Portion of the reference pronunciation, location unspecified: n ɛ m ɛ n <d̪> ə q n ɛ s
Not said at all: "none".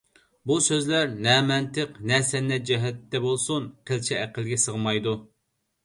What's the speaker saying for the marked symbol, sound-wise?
t̪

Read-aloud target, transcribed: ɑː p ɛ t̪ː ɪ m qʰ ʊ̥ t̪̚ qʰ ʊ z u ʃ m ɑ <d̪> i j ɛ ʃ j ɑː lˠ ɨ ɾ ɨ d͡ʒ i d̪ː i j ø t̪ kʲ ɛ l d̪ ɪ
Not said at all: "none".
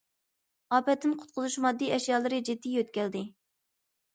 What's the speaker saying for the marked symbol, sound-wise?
d̪ː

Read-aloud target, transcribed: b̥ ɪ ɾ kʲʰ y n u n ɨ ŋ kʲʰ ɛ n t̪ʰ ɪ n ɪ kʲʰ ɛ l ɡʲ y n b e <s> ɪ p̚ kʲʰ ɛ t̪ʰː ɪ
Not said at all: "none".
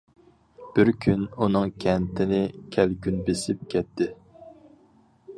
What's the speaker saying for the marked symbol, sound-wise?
s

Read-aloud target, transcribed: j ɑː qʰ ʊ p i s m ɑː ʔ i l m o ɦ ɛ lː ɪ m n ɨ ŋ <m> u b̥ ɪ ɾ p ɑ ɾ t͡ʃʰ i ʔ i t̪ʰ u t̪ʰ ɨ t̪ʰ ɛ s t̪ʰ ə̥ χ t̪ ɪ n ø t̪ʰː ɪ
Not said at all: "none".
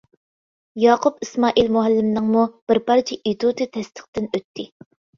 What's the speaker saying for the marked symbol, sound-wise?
m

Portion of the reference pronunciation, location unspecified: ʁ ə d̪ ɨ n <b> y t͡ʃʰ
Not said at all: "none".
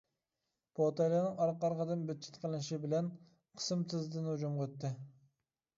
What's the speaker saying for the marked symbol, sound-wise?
b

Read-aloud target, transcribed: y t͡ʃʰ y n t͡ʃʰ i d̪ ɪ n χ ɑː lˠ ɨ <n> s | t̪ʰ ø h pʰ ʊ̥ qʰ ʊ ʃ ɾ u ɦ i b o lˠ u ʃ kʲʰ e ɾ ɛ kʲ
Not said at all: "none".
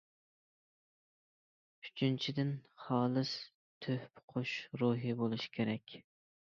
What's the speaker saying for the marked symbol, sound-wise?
none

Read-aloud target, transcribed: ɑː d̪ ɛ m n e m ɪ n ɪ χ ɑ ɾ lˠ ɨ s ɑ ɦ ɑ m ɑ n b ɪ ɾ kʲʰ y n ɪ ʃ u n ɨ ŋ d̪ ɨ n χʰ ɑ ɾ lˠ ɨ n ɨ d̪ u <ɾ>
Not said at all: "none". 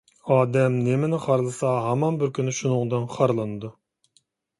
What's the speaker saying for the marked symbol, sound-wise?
none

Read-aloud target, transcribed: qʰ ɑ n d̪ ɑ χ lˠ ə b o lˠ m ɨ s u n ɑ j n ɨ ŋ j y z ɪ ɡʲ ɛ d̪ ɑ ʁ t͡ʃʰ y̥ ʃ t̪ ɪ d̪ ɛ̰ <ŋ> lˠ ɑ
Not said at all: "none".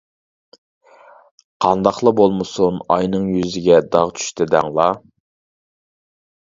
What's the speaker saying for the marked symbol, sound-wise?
ŋ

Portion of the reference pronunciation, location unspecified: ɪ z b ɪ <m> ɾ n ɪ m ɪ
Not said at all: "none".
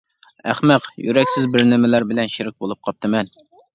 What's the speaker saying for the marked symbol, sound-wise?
none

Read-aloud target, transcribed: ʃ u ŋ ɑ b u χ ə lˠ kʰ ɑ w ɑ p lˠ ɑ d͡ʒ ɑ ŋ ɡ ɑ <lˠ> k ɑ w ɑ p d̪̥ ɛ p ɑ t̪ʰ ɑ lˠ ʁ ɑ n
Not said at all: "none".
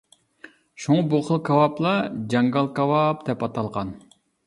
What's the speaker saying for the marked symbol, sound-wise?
lˠ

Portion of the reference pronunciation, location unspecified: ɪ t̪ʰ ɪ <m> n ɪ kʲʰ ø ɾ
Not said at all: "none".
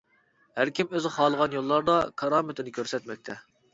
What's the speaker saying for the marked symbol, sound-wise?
none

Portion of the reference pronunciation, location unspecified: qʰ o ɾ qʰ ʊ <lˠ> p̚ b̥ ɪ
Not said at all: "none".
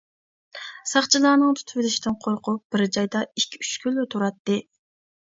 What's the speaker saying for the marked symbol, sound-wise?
none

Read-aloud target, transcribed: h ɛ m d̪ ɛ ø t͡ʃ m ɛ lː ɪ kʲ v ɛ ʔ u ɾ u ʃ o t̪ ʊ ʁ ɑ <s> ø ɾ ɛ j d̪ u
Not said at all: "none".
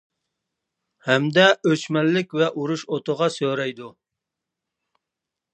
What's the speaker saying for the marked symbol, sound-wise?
s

